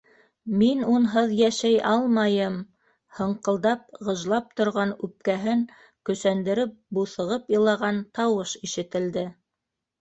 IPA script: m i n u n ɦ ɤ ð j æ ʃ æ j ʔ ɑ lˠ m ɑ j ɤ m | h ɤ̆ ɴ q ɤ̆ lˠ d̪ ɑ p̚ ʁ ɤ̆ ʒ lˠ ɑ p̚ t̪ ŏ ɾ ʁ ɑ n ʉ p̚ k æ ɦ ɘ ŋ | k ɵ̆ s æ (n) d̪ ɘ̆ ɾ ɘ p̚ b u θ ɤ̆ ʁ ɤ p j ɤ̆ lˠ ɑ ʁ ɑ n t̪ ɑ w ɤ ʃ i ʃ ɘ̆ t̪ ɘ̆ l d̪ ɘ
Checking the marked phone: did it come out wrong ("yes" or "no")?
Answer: no